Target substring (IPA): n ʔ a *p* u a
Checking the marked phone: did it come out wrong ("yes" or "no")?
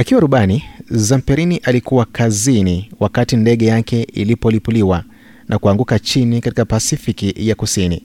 yes